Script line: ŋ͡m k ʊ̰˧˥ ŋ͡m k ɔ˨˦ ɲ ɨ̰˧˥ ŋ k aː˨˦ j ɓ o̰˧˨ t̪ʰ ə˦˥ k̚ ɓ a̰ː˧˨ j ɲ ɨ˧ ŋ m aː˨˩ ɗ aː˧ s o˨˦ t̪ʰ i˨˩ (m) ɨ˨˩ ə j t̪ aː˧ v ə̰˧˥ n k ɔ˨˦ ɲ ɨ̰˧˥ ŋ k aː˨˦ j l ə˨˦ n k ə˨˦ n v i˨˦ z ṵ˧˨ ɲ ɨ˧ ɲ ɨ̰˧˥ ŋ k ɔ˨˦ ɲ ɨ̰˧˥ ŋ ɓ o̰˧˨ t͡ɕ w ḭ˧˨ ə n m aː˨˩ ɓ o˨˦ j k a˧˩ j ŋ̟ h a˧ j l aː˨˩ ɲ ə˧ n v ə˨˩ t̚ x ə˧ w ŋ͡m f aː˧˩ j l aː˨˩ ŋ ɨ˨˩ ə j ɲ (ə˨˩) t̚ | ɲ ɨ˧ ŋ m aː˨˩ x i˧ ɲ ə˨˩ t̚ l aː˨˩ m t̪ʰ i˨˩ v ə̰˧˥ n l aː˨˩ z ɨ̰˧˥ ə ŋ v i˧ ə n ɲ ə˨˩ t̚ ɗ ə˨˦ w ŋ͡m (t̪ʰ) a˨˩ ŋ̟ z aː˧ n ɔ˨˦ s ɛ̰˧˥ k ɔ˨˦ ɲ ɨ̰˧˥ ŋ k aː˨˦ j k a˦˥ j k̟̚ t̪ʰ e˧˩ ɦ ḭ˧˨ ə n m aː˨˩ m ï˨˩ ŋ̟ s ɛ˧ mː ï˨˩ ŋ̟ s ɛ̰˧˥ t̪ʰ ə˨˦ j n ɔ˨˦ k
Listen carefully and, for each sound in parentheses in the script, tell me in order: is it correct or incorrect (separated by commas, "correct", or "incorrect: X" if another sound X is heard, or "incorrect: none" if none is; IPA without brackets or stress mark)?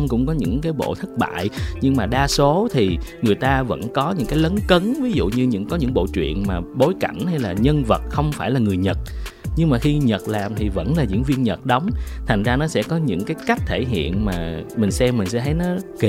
incorrect: ŋ, correct, correct